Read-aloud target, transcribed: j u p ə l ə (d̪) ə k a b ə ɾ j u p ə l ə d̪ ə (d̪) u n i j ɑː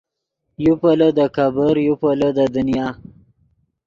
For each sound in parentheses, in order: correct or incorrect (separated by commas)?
correct, correct